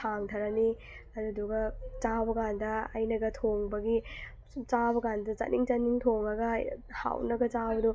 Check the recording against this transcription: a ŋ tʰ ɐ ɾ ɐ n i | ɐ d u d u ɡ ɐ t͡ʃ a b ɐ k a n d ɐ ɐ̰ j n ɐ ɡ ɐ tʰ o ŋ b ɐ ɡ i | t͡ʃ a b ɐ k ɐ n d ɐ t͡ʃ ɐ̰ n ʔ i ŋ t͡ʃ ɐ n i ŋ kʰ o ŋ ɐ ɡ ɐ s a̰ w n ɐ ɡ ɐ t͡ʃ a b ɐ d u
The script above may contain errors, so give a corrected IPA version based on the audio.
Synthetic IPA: a ŋ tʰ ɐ ɾ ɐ n i | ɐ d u d u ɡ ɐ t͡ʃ a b ɐ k a n d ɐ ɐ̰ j n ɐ ɡ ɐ tʰ o ŋ b ɐ ɡ i | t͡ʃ a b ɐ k a n d ɐ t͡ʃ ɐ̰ n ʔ i ŋ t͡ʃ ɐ n i ŋ tʰ o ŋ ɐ ɡ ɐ h a̰ w n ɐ ɡ ɐ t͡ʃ a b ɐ d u